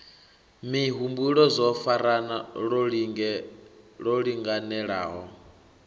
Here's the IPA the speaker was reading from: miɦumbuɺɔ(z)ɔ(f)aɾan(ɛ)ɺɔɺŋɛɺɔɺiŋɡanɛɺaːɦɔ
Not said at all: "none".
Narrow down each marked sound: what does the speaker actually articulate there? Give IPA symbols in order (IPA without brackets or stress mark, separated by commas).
z, f, a